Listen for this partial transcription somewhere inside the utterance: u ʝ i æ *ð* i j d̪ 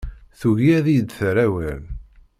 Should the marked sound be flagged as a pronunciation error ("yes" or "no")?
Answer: no